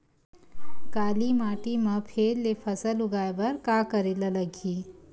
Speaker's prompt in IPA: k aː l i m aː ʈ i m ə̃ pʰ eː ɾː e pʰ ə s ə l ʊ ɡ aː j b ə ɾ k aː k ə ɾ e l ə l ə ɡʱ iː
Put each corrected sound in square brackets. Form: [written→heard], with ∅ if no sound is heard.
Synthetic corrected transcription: k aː l i m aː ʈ i m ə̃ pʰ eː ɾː e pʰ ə s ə l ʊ ɡ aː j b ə ɾ k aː k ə ɾ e l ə l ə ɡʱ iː